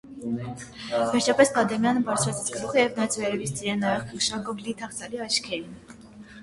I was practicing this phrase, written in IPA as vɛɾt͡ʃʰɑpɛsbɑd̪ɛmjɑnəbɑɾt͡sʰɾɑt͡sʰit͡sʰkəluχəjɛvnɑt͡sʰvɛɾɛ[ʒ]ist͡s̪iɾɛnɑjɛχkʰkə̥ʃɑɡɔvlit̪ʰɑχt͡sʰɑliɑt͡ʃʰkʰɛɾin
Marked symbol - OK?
no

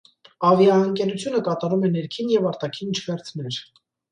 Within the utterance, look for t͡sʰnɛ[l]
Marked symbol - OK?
no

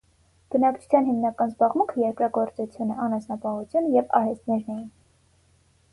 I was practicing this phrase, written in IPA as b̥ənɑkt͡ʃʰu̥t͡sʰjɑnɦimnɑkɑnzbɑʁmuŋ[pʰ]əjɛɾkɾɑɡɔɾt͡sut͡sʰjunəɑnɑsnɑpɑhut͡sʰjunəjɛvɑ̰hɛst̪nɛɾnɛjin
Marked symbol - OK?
no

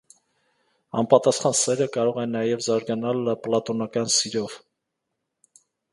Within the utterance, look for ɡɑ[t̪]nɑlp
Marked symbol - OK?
no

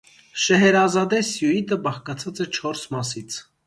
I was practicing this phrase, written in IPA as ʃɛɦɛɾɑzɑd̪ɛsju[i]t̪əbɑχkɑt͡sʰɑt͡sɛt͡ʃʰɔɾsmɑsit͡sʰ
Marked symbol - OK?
yes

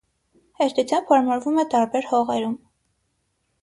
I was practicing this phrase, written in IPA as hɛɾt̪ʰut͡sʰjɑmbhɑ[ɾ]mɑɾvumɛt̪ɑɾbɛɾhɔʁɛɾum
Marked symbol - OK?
yes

